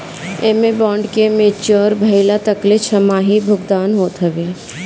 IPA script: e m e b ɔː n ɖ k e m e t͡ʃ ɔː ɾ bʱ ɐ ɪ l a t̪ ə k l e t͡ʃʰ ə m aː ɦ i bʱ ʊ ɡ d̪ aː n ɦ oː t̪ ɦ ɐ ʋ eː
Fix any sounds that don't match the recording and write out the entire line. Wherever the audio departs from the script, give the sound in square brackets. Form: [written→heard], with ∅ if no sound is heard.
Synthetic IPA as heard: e m e b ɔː [n→ɳ] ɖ k e m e t͡ʃ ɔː ɾ bʱ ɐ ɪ l a t̪ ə k l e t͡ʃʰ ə m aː ɦ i bʱ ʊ ɡ d̪ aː n ɦ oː t̪ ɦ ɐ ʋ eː